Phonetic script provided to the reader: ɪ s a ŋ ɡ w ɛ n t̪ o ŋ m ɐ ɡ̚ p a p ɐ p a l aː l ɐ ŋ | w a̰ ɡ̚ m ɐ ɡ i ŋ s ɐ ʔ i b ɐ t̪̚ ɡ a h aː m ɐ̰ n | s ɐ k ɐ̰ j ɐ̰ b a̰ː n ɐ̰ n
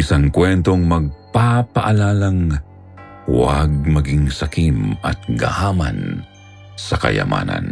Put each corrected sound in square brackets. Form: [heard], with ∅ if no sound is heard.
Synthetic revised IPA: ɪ s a ŋ [k] w ɛ n t̪ o ŋ m ɐ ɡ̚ p a p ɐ [ʔ] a l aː l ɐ ŋ | w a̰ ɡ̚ m ɐ ɡ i ŋ s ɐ [k] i [m] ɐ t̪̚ ɡ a h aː m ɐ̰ n | s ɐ k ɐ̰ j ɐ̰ [m] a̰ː n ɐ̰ n